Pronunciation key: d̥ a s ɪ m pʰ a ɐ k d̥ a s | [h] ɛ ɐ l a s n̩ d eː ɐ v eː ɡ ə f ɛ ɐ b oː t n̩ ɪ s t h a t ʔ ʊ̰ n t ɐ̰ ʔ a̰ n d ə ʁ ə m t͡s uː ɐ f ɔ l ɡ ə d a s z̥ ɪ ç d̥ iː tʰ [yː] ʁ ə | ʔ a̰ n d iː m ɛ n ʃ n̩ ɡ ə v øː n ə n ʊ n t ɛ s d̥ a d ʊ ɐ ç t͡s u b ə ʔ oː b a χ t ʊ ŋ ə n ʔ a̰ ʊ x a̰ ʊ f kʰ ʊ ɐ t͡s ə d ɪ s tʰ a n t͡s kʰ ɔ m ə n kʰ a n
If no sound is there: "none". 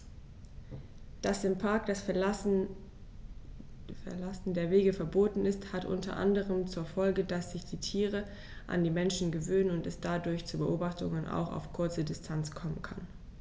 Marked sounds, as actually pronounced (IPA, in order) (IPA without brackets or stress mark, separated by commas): f, iː